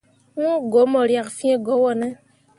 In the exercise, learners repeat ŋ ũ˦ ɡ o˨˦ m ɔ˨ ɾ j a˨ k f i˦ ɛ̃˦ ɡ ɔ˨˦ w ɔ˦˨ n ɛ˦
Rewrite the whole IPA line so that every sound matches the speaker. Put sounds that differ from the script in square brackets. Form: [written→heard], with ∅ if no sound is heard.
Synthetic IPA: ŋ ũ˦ ɡ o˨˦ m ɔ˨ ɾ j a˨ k f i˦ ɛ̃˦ ɡ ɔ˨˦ w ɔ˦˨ n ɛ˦